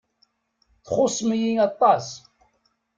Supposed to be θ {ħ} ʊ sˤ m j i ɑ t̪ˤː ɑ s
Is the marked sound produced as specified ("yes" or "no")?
no